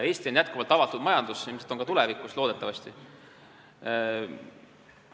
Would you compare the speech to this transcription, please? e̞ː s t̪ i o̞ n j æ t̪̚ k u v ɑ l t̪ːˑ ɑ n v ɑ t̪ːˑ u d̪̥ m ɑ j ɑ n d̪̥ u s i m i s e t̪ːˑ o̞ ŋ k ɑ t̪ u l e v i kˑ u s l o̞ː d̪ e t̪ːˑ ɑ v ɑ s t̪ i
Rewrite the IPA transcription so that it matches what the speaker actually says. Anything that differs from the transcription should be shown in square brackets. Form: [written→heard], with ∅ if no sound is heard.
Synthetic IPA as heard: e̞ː s t̪ i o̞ n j æ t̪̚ k u v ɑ l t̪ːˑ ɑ [n→∅] v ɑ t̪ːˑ u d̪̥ m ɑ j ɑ n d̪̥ u s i m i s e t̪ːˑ o̞ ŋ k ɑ t̪ u l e v i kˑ u s l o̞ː d̪ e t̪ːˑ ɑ v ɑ s t̪ i